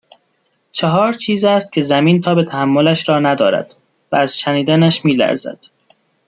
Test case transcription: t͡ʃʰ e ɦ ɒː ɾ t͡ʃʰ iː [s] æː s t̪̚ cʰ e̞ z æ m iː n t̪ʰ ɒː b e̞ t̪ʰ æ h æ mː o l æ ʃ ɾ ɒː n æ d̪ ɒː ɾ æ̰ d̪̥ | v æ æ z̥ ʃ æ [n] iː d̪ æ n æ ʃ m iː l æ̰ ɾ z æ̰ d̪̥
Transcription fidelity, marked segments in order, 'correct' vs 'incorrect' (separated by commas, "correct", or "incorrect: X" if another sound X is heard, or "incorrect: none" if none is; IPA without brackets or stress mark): incorrect: z, correct